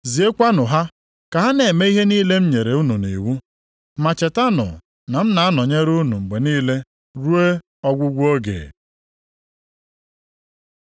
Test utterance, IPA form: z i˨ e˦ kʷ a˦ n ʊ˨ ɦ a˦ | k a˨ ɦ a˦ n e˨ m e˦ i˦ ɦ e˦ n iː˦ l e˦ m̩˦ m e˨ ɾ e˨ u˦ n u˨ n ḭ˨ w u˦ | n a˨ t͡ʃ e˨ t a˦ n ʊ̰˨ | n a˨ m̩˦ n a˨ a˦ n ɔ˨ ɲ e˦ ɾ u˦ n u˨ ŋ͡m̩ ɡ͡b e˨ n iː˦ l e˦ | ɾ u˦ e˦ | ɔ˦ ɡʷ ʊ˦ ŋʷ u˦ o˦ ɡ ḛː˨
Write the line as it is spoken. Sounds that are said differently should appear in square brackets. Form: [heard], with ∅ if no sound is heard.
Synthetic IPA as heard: z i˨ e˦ kʷ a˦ n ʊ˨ ɦ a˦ | k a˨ ɦ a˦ n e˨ m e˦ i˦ ɦ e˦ n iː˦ l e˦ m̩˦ [ɲ] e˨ ɾ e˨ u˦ n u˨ n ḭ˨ w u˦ | [m] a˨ t͡ʃ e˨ t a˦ n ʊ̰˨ | n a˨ m̩˦ n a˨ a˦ n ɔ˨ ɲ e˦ ɾ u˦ n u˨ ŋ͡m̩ ɡ͡b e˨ n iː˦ l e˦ | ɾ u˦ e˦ | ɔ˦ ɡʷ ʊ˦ [ɡʷ] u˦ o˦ ɡ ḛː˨

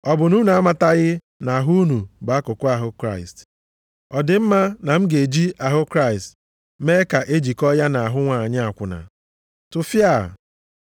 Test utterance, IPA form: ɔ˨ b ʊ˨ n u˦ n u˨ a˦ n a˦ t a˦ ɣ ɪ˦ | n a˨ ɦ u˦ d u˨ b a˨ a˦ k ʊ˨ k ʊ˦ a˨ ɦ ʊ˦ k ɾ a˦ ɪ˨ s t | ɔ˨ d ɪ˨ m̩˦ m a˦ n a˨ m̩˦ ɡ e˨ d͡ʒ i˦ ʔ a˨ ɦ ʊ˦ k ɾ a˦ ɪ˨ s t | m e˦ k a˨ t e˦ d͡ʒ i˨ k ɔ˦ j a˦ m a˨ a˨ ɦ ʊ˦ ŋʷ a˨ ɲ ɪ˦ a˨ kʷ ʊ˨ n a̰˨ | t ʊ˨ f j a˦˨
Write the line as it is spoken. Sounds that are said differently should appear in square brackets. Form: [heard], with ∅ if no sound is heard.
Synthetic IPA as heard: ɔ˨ b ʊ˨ n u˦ n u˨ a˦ [m] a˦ t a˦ ɣ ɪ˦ | n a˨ ɦ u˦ [n] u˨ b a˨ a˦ k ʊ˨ k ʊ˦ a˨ ɦ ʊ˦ k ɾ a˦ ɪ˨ s t | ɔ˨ d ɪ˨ m̩˦ m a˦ n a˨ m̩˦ ɡ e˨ d͡ʒ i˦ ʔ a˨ ɦ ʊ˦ k ɾ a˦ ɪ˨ s t | m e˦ k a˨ [ʔ] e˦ d͡ʒ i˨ k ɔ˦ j a˦ [n] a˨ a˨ ɦ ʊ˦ ŋʷ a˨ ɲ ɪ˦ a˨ kʷ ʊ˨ n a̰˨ | t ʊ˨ f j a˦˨

